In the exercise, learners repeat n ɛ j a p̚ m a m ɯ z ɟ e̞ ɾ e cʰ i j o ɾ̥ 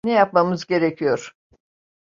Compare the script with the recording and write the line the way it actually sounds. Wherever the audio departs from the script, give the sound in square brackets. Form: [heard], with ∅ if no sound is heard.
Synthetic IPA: n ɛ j a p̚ m a m ɯ z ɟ e̞ ɾ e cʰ i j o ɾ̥